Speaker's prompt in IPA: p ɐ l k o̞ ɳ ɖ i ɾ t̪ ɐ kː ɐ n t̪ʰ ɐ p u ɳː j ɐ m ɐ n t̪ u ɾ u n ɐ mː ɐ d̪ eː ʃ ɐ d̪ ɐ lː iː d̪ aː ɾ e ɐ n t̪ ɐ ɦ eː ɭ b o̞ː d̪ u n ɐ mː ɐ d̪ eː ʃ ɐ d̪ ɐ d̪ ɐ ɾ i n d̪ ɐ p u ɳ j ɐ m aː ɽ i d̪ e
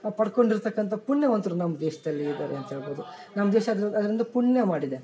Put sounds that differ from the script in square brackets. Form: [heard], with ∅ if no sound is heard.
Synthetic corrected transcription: p ɐ [ɽ] k o̞ ɳ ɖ i ɾ t̪ ɐ kː ɐ n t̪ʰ ɐ p u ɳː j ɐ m ɐ n t̪ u ɾ u n ɐ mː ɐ d̪ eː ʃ ɐ d̪ ɐ lː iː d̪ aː ɾ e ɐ n t̪ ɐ ɦ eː ɭ b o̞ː d̪ u n ɐ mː ɐ d̪ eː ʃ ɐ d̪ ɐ d̪ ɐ ɾ i n d̪ ɐ p u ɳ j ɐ m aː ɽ i d̪ e

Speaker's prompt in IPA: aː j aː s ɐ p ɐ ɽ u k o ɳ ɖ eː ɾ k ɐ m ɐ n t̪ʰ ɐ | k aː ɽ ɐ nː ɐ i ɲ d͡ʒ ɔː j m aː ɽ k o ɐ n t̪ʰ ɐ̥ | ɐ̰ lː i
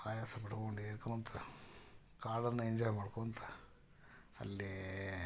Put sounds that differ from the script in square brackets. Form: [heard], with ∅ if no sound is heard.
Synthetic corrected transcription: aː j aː s ɐ p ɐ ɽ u k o ɳ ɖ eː ɾ k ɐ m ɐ n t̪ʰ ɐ | k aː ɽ ɐ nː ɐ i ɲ d͡ʒ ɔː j m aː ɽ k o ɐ n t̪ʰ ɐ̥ | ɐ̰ lː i

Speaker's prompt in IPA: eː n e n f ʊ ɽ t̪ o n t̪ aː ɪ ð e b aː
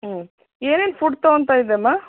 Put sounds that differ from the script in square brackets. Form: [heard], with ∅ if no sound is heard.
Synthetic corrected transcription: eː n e n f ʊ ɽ t̪ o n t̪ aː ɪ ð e [m] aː

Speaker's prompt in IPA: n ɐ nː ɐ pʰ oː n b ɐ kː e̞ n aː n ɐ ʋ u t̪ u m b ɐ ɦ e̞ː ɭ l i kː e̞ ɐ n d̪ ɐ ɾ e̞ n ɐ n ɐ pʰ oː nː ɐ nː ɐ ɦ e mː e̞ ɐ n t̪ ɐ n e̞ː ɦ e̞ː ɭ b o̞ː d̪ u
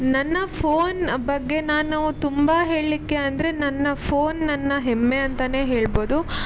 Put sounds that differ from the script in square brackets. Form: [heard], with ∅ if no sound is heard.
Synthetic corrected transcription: n ɐ nː ɐ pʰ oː n b ɐ [ɡː] e̞ n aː n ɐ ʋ u t̪ u m b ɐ ɦ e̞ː ɭ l i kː e̞ ɐ n d̪ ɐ ɾ e̞ n ɐ [nː] ɐ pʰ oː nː ɐ nː ɐ ɦ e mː e̞ ɐ n t̪ ɐ n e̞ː ɦ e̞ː ɭ b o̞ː d̪ u

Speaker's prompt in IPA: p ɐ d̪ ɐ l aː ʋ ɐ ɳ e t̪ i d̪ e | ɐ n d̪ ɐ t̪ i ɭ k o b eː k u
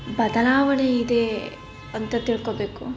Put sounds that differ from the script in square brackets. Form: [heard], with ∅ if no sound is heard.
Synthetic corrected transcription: [b] ɐ d̪ ɐ l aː ʋ ɐ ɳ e [∅] i d̪ e | ɐ n [t̪] ɐ t̪ i ɭ k o b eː k u

